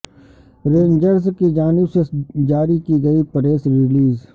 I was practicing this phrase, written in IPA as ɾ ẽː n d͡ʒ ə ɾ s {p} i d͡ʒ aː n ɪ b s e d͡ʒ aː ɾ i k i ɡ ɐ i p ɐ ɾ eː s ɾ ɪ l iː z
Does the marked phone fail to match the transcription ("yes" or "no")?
yes